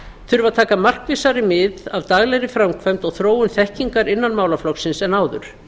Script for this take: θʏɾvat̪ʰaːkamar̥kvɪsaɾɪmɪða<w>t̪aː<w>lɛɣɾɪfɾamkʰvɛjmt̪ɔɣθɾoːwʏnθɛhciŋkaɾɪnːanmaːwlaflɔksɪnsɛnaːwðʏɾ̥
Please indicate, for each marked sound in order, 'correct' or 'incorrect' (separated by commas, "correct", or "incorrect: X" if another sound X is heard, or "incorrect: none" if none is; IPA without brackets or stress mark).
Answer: incorrect: v, incorrect: ɣ